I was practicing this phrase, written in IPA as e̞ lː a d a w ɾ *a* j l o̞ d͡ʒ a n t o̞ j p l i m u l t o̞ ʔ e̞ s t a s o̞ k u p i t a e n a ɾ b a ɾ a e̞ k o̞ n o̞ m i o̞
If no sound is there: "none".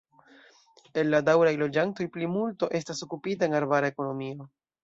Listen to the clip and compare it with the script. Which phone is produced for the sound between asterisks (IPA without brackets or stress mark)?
a